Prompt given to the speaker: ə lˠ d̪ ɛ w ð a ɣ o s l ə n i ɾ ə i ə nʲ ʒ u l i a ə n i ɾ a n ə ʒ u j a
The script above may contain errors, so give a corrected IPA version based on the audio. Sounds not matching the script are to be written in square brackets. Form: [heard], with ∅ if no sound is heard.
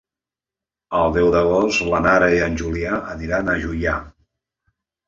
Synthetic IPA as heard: ə lˠ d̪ ɛ w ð [ə] ɣ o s l ə n [a] ɾ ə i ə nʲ ʒ u l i a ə n i ɾ a n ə ʒ u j a